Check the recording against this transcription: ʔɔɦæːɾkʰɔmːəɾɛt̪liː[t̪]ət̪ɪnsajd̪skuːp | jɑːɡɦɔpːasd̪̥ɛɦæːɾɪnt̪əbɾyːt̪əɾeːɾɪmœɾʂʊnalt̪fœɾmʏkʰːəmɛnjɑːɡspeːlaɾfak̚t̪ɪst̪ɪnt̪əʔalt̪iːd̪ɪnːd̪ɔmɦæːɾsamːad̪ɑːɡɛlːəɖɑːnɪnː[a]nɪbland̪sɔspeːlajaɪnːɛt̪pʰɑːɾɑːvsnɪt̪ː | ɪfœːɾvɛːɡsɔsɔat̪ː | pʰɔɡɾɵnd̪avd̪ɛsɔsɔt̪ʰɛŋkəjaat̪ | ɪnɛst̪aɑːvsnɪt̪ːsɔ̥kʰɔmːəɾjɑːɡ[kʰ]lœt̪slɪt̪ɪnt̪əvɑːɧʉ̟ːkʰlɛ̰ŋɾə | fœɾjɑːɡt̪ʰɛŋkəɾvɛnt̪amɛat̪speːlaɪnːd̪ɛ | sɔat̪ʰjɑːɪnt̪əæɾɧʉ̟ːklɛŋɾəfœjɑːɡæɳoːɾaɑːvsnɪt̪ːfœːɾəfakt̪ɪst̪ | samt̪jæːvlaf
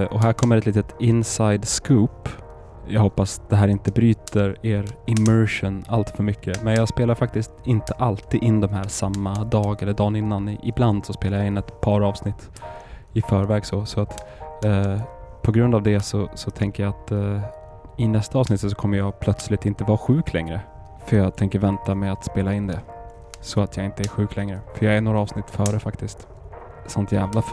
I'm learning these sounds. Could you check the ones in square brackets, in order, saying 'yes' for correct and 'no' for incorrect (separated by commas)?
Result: yes, yes, no